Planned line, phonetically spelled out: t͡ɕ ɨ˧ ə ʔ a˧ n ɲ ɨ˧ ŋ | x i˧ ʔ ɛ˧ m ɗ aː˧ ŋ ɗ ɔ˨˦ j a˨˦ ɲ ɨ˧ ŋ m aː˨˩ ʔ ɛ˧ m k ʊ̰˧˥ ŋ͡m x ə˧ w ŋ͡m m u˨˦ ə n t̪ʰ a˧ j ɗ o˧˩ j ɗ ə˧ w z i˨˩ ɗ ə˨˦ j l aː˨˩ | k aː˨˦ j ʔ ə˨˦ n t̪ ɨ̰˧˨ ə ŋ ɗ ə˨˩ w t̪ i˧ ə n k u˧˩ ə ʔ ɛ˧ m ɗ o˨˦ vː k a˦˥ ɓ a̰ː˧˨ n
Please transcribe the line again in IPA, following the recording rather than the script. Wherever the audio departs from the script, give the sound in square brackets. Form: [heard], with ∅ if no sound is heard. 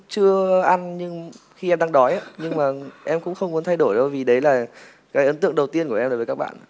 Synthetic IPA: t͡ɕ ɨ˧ ə ʔ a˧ n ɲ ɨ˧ ŋ | x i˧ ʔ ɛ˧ m ɗ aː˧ ŋ ɗ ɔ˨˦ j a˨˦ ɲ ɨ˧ ŋ m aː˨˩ ʔ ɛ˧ m k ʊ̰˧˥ ŋ͡m x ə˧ w ŋ͡m m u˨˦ ə n t̪ʰ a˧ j ɗ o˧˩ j ɗ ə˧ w [v] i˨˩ ɗ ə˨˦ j l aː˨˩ | k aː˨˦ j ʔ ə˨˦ n t̪ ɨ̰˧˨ ə ŋ ɗ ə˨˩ w t̪ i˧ ə n k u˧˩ ə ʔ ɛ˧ m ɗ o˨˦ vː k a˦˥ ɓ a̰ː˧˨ n